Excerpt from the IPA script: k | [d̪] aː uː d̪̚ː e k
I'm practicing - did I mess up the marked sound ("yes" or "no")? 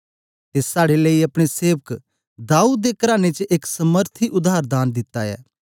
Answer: no